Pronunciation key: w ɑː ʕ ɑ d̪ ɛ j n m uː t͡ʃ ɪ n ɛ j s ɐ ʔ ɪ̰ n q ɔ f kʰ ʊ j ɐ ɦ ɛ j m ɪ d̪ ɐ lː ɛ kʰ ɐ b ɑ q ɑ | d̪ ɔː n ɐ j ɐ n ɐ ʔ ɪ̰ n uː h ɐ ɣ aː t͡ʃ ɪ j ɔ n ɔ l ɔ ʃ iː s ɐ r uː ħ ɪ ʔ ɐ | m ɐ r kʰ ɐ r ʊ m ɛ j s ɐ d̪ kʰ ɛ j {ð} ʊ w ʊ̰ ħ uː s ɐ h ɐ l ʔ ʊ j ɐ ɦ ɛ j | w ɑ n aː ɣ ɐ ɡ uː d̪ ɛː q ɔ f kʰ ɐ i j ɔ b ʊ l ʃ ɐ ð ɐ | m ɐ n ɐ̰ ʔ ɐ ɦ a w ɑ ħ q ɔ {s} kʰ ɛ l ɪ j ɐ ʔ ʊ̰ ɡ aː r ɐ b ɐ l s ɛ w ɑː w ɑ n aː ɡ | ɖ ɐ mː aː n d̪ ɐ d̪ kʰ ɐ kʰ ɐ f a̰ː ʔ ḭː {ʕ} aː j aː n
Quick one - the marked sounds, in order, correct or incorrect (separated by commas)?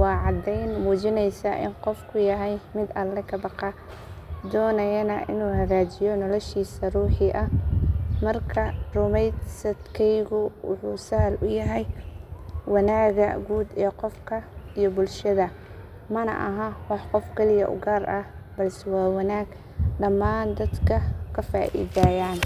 incorrect, incorrect, incorrect